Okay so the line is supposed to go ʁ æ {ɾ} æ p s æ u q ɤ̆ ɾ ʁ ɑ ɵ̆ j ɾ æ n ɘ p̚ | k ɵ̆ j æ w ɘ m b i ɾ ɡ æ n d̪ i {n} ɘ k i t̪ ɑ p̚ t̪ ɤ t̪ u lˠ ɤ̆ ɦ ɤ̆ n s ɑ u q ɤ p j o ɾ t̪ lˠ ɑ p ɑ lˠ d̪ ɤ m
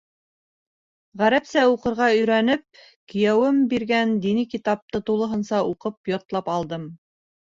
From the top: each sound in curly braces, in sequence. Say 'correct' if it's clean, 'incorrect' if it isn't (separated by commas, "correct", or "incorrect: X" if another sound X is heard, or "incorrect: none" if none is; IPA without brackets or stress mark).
correct, correct